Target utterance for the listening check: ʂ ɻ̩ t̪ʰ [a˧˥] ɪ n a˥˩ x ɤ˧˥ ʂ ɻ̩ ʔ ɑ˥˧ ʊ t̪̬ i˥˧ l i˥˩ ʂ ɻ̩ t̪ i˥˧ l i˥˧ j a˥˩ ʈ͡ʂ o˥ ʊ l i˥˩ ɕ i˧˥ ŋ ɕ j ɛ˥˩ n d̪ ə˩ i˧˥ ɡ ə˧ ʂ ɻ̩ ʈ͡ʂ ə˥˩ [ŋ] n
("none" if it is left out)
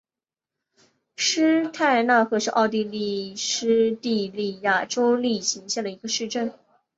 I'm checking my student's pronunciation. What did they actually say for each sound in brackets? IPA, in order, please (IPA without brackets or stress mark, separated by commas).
a˥˧, none